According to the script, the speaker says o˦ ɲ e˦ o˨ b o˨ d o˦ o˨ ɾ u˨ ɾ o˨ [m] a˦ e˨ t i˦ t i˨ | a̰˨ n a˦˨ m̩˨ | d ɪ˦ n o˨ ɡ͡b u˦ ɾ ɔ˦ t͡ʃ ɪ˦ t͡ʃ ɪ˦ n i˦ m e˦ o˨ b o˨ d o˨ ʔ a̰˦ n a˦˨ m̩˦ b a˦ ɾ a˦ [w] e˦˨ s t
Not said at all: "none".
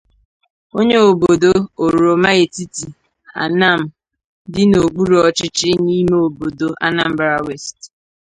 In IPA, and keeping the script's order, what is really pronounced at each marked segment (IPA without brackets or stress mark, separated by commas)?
m, w